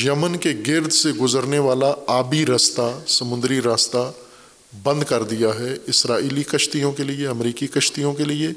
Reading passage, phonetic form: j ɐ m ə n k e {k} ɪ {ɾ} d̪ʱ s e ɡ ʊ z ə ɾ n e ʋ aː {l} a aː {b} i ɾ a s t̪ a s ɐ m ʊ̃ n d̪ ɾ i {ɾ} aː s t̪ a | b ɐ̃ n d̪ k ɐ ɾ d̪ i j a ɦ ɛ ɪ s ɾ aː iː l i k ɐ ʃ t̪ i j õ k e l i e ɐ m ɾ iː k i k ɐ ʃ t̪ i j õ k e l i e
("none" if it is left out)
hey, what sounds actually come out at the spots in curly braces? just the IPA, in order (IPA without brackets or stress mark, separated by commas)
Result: ɡ, ɾ, l, b, ɾ